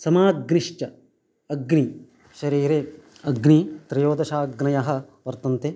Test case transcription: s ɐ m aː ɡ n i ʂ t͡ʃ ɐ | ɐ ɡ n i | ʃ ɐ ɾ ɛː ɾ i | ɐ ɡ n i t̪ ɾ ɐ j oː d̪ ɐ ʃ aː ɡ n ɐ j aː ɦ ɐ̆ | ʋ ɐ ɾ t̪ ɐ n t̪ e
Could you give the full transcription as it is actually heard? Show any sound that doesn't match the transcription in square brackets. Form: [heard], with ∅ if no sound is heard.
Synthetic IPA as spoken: s ɐ m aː ɡ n i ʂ t͡ʃ ɐ | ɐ ɡ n i | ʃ ɐ ɾ [iː] ɾ [e] | ɐ ɡ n i t̪ ɾ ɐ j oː d̪ ɐ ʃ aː ɡ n ɐ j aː ɦ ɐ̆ | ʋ ɐ ɾ t̪ ɐ n t̪ e